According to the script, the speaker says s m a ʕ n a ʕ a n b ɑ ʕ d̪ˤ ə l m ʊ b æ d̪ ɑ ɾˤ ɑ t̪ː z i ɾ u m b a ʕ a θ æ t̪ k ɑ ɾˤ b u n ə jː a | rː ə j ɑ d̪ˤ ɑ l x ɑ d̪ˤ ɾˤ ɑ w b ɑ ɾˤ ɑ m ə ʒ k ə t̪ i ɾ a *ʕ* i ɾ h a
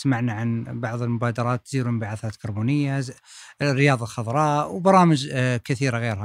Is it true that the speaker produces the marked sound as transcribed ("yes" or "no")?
no